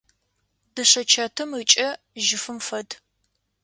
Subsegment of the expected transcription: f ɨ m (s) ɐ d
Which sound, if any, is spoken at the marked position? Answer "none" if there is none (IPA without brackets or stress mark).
f